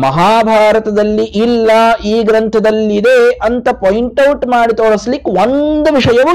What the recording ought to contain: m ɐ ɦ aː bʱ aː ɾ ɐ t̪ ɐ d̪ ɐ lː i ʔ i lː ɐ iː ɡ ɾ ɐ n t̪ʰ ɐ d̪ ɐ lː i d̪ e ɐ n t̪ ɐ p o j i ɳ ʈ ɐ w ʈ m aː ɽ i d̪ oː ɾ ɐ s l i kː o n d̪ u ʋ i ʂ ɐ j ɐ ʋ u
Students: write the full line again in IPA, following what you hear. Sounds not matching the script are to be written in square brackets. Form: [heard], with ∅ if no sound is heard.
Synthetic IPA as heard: m ɐ ɦ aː bʱ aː ɾ ɐ t̪ ɐ d̪ ɐ lː i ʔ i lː ɐ iː ɡ ɾ ɐ n t̪ʰ ɐ d̪ ɐ lː i d̪ e ɐ n t̪ ɐ p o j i ɳ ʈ ɐ w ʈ m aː ɽ i [t̪] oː [ɭ] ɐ s l i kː o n d̪ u ʋ i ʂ ɐ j ɐ ʋ u